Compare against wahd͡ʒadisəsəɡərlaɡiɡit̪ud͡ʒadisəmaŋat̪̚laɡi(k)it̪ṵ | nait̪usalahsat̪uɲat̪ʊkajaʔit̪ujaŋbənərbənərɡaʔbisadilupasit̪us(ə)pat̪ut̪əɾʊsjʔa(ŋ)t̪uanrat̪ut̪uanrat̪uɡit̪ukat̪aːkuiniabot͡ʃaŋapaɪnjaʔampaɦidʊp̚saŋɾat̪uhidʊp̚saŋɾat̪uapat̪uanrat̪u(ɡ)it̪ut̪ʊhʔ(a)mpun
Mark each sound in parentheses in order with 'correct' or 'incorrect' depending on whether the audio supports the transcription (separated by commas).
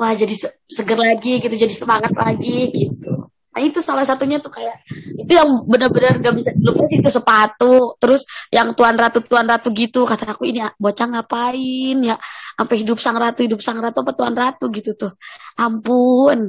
incorrect, correct, correct, correct, correct